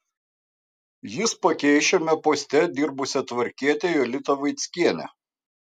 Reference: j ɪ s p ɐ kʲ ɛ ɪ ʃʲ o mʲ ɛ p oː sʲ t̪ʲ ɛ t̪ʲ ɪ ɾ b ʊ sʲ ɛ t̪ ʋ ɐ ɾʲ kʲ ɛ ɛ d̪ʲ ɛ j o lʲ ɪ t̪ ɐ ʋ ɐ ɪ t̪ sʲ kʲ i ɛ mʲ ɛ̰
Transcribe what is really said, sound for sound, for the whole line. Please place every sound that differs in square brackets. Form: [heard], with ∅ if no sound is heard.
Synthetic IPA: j ɪ s p ɐ kʲ ɛ ɪ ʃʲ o mʲ ɛ p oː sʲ t̪ʲ ɛ [d̪ʲ] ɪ ɾ b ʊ sʲ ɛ t̪ ʋ ɐ ɾʲ kʲ [i] ɛ [t̪ʲ] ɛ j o lʲ ɪ t̪ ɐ ʋ ɐ ɪ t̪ sʲ kʲ i ɛ [nʲ] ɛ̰